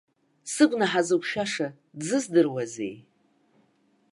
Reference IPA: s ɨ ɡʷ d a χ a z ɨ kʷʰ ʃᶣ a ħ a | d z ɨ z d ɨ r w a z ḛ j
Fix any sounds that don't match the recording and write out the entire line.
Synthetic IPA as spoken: s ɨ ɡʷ n a ħ a z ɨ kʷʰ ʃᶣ a ʂ a | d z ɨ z d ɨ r w a z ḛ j